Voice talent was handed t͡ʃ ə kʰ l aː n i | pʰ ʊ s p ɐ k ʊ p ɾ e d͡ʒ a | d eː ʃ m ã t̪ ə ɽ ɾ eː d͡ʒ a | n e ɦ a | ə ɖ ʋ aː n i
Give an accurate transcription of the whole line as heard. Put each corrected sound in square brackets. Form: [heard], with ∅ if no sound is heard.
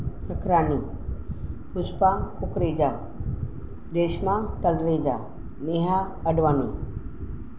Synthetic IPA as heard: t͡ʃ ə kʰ [ɾ] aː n i | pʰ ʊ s p [a] k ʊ [k] ɾ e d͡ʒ a | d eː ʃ m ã t̪ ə [l] ɾ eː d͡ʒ a | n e ɦ a | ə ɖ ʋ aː n i